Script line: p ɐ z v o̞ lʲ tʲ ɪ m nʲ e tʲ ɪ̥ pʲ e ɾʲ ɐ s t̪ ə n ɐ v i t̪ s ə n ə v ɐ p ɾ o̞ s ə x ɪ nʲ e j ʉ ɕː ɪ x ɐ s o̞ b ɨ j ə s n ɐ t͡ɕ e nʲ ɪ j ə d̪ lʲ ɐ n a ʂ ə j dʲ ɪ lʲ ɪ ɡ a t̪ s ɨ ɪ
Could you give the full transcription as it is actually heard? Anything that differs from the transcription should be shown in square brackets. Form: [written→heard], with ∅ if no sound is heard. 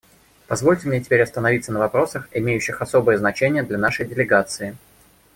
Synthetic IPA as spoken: p ɐ z v o̞ lʲ tʲ ɪ m nʲ e tʲ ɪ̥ pʲ e ɾʲ ɐ s t̪ ə n ɐ v i t̪ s ə n ə v ɐ p ɾ o̞ s ə x ɪ [nʲ→mʲ] e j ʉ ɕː ɪ x ɐ s o̞ b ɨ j ə [s→z] n ɐ t͡ɕ e nʲ ɪ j ə d̪ lʲ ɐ n a ʂ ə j dʲ ɪ lʲ ɪ ɡ a t̪ s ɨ ɪ